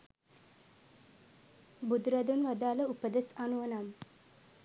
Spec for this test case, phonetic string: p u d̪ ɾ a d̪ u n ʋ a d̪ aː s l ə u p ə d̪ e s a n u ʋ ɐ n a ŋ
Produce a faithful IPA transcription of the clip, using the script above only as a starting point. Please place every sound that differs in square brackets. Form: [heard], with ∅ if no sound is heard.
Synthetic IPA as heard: [b] u d̪ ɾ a d̪ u n ʋ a d̪ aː [∅] l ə u p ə d̪ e s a n u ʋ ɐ n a [m]